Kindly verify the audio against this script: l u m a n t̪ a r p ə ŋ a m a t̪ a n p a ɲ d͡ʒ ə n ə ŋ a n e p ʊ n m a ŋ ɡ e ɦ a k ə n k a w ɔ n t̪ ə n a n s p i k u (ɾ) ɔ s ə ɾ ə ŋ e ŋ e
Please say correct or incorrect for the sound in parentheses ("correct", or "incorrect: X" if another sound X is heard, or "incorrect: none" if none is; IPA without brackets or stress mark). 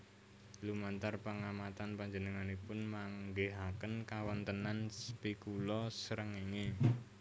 incorrect: l